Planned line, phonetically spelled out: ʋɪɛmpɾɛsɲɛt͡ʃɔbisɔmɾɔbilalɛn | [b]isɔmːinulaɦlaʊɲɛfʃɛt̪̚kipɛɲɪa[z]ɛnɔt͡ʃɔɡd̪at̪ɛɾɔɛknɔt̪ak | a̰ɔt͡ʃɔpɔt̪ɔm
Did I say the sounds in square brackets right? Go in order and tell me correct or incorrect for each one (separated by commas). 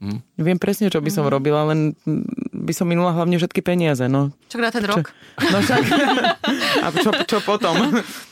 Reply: correct, correct